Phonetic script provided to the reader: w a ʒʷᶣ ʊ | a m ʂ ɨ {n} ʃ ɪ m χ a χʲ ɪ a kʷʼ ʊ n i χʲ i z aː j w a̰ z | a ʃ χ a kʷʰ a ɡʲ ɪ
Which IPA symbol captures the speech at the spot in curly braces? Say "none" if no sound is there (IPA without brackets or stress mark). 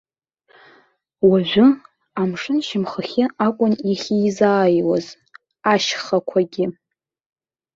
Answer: n